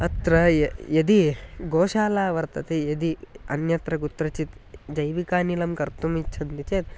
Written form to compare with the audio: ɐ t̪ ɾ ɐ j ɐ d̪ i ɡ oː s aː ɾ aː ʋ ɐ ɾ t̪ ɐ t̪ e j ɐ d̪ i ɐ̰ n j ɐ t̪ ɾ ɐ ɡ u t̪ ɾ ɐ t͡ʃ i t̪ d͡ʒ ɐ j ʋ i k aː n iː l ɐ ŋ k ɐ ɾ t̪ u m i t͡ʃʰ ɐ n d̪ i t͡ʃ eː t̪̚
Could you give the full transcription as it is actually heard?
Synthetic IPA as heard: ɐ t̪ ɾ ɐ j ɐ d̪ i ɡ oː ʃ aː l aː ʋ ɐ ɾ t̪ ɐ t̪ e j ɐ d̪ i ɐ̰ n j ɐ t̪ ɾ ɐ ɡ u t̪ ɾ ɐ t͡ʃ i t̪ d͡ʒ ɐ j ʋ i k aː n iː l ɐ m k ɐ ɾ t̪ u m i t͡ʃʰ ɐ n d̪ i t͡ʃ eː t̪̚